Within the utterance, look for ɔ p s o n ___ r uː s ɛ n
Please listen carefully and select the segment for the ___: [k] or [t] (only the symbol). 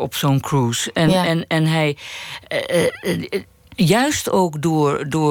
k